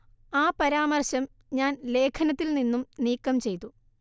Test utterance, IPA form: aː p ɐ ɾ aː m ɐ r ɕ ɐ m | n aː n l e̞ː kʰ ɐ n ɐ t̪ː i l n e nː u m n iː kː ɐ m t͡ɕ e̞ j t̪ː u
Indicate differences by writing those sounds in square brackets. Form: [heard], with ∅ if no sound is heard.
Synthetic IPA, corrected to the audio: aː p ɐ ɾ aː m ɐ r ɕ ɐ m | [ɲ] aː n l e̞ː kʰ ɐ n ɐ t̪ː i l n [i] nː u m n iː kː ɐ m t͡ɕ e̞ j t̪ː u